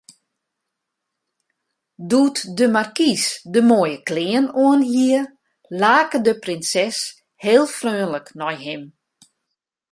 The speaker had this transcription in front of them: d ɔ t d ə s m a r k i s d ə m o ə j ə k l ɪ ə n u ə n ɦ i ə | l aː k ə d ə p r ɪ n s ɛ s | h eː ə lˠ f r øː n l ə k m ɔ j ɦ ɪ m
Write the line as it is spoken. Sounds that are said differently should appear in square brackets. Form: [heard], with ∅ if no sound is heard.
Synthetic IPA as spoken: d [u] t d ə [∅] m a r k i s d ə m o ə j ə k l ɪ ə n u ə n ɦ i ə | l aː k ə d ə p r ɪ n s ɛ s | h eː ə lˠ f r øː n l ə k [n] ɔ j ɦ ɪ m

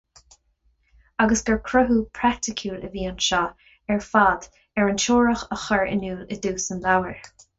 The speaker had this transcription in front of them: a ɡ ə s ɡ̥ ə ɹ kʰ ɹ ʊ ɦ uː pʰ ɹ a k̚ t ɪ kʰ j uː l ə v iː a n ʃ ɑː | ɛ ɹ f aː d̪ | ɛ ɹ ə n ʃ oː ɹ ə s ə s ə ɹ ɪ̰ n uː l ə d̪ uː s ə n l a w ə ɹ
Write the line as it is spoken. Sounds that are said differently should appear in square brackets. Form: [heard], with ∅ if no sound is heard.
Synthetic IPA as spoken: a ɡ ə s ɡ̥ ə ɹ kʰ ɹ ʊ ɦ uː pʰ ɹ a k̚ t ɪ kʰ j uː l ə v iː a n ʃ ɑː | ɛ ɹ f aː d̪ | ɛ ɹ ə n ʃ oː ɹ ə [x] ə [x] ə ɹ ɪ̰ n uː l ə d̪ uː s ə n l a w ə ɹ

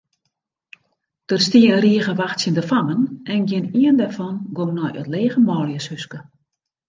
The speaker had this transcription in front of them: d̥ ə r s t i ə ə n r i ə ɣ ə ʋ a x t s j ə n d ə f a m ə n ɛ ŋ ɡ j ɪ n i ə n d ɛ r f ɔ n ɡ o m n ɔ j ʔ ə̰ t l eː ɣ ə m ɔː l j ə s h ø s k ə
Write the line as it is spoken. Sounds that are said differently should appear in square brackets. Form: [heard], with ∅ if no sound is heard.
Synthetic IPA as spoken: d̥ ə r s t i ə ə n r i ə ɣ ə ʋ a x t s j ə n d ə f a m ə n ɛ [n] ɡ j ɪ n i ə n d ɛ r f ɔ n ɡ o m n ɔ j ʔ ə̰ t l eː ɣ ə m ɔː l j ə s h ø s k ə

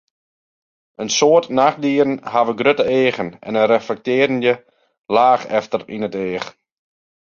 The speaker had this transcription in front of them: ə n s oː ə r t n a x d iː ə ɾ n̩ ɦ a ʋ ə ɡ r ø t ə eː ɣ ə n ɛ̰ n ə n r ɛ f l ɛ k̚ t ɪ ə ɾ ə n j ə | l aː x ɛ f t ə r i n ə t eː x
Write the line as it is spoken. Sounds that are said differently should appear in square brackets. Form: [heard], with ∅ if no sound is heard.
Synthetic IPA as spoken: ə n s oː ə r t n a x d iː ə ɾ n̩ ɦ a ʋ ə ɡ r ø t ə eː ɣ ə n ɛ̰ n ə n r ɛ f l ɛ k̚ t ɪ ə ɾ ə n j ə | l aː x ɛ f t ə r i n ə t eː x

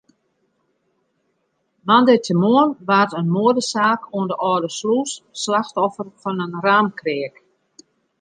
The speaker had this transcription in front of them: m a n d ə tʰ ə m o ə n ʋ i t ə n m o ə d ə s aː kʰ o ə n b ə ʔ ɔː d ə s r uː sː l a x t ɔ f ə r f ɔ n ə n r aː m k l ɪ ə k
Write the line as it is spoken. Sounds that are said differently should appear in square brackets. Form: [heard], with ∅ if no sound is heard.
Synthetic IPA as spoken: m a n d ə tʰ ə m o ə n ʋ [a] t ə n m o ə d ə s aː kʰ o ə n [d] ə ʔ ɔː d ə s [l] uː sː l a x t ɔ f ə r f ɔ n ə n r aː m k [r] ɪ ə k

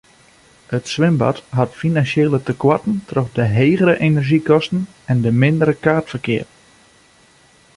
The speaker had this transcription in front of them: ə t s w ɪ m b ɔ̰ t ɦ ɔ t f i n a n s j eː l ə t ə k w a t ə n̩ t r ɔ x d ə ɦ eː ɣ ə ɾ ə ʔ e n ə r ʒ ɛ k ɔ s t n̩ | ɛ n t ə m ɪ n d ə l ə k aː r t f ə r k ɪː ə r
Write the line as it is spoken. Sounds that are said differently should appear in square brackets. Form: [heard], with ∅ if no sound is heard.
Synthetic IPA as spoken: ə t s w ɪ m b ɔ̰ t ɦ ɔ t f i n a n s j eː l ə t ə k w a t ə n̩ t r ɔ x d ə ɦ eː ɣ ə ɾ ə ʔ e n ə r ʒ [i] k ɔ s t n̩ | ɛ n [d] ə m ɪ n d ə [ɾ] ə k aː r t f ə r k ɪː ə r

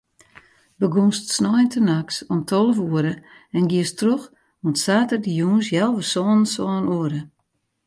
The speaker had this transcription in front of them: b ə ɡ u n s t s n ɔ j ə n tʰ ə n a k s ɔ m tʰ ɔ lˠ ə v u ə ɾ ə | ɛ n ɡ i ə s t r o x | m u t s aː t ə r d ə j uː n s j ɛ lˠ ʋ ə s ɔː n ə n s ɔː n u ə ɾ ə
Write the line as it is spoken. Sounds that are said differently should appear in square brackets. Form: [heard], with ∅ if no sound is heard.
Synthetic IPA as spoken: b ə ɡ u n s t s n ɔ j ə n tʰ ə n a k s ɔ m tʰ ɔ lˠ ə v u ə ɾ ə | ɛ n ɡ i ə s t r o x | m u t s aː t ə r d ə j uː n s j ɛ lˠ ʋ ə s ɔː n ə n s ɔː n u ə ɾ ə

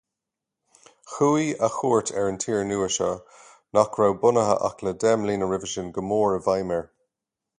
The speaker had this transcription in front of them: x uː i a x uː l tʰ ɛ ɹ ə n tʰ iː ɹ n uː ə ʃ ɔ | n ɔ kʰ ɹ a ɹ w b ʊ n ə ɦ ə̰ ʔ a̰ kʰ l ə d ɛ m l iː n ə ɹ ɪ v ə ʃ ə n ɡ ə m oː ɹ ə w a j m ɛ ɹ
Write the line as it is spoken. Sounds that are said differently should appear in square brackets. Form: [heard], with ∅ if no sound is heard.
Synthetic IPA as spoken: x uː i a x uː [ɹ] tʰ ɛ ɹ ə n tʰ iː ɹ n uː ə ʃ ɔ | n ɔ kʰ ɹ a [∅] w b ʊ n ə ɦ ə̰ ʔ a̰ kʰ l ə d ɛ m l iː n ə ɹ ɪ v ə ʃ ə n ɡ ə m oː ɹ ə [v] a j m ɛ ɹ

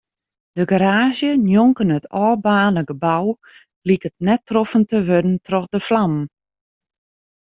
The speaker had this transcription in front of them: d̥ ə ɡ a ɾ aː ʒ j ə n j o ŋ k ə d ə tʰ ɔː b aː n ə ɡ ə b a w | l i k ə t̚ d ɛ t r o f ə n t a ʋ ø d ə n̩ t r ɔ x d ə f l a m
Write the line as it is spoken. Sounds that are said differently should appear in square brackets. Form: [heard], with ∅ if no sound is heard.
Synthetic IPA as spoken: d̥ ə ɡ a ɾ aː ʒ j ə n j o ŋ k ə [n] ə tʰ ɔː b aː n ə ɡ ə b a w | l i k ə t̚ [n] ɛ t r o f ə n t [ə] ʋ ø d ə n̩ t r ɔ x d ə f l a m

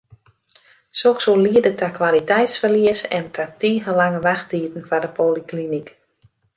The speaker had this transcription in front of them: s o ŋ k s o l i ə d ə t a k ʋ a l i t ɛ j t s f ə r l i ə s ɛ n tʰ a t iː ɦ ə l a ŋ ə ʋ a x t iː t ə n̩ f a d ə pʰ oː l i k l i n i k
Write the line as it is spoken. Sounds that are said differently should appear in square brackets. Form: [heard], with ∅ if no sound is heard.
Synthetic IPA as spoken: s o [∅] k s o l i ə d ə t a k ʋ a l i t ɛ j t s f ə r l i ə s ɛ n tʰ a t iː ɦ ə l a ŋ ə ʋ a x t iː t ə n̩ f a d ə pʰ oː l i k l i n i k

